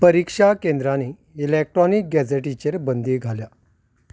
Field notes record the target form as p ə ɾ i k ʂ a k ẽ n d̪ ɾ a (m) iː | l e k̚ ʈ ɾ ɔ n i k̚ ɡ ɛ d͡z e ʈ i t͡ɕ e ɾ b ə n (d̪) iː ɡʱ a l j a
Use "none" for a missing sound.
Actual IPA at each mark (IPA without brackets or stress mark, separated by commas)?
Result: n, d̪